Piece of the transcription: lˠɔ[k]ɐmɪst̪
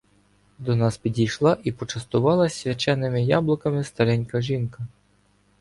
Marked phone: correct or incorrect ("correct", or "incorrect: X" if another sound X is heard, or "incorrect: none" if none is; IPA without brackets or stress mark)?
correct